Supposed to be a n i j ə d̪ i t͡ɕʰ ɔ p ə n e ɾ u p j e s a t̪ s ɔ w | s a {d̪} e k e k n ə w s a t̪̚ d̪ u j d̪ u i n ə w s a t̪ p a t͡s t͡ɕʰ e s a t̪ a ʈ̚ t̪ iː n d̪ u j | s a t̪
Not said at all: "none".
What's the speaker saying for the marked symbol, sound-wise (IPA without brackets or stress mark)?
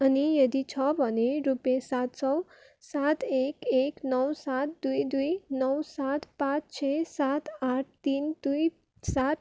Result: t̪